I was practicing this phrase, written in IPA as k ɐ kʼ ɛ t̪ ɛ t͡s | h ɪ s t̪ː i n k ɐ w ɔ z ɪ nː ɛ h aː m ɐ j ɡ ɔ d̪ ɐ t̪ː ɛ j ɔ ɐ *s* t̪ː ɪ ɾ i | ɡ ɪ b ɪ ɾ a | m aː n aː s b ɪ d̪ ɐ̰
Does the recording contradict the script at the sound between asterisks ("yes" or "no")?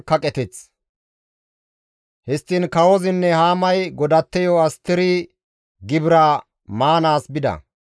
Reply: no